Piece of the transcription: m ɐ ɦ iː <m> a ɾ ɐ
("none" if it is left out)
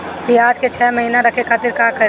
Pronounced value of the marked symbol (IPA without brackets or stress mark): n